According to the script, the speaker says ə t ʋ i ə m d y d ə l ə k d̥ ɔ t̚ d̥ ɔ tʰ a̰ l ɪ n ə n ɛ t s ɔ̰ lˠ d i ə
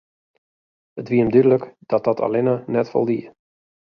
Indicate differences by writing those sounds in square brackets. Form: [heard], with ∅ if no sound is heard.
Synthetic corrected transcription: ə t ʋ i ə m d y d ə l ə k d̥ ɔ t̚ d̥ ɔ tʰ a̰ l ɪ n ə n ɛ t [f] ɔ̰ lˠ d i ə

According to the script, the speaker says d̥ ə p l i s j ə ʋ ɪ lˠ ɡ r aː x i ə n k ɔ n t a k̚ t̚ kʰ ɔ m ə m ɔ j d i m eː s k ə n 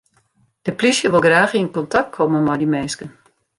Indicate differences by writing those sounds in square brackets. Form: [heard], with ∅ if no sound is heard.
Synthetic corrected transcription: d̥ ə p l i s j ə ʋ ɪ lˠ ɡ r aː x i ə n k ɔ n t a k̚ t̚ kʰ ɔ m ə m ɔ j d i m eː s k ə n

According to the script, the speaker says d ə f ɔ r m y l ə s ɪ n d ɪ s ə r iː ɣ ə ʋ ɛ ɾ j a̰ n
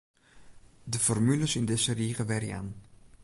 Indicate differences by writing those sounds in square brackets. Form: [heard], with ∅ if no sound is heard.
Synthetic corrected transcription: d ə f ɔ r m y l ə s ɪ n d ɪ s ə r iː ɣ ə ʋ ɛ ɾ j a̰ n

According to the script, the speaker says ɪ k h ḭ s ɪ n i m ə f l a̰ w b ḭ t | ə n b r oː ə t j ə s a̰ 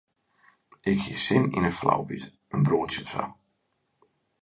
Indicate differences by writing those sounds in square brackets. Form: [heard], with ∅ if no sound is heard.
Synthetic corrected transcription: ɪ k h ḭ s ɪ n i [n] ə f l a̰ w b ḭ t | ə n b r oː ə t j ə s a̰

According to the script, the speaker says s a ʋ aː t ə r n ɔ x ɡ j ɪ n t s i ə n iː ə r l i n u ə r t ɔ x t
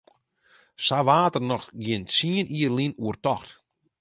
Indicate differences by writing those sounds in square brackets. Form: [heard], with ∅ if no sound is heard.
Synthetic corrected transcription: s a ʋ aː t ə r n ɔ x ɡ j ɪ n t s i ə n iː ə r l i n u ə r t ɔ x t

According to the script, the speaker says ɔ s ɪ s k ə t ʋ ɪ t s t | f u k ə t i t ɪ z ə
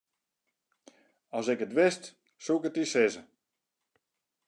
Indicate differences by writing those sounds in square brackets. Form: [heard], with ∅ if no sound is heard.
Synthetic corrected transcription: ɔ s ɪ [∅] k ə t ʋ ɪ [∅] s t | [s] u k ə t i [s] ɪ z ə

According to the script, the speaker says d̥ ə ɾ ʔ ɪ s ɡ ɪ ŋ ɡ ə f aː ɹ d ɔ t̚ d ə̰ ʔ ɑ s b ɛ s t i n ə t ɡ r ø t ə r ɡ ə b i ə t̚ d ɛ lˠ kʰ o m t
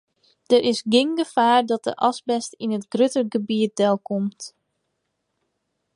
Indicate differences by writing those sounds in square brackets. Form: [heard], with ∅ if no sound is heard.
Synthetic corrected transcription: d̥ ə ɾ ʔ ɪ s ɡ ɪ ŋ ɡ ə f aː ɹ d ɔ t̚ d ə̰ ʔ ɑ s b ɛ s t i n ə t ɡ r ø t ə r ɡ ə b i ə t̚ d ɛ lˠ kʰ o m t

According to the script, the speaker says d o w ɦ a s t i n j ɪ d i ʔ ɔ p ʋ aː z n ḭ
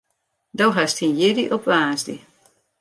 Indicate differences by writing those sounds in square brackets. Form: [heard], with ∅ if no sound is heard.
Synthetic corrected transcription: d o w ɦ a s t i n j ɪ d i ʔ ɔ p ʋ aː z [d] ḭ

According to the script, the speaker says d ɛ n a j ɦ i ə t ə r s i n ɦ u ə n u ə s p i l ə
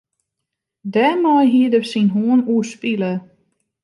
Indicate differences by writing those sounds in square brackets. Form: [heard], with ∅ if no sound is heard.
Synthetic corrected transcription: d ɛ [m] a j ɦ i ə [d] ə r s i n ɦ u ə n u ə s p i l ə

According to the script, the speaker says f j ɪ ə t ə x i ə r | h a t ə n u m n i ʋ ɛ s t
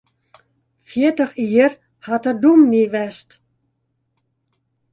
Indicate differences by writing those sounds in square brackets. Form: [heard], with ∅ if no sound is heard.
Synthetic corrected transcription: f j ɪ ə t ə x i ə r | h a t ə [d] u m n i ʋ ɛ s t

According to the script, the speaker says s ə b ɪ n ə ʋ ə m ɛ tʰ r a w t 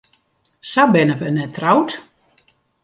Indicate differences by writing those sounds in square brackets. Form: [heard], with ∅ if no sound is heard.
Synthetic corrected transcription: s [a] b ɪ n ə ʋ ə [n] ɛ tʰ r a w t

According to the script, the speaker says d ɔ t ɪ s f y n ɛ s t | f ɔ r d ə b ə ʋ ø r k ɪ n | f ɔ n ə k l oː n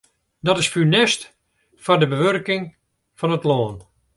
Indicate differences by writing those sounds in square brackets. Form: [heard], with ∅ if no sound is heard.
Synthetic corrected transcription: d ɔ t ɪ s f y n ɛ s t | f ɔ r d ə b ə ʋ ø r k ɪ [ŋ] | f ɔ n ə [t] l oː n

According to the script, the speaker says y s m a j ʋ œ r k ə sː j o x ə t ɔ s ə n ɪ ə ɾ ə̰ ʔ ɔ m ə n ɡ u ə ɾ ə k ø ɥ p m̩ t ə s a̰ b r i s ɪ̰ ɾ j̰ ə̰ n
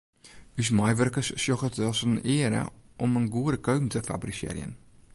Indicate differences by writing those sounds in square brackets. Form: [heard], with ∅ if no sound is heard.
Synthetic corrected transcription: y s m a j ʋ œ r k ə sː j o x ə t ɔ s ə n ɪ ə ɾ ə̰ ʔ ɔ m ə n ɡ u ə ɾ ə k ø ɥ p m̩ t ə [f] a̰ b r i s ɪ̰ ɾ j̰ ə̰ n

